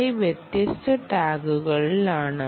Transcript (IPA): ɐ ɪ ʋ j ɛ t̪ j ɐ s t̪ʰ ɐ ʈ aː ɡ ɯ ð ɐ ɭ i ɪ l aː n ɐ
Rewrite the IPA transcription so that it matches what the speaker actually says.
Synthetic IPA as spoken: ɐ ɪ ʋ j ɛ t̪ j ɐ s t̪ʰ ɐ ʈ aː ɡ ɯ ɣ ɐ ɭ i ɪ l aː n ɐ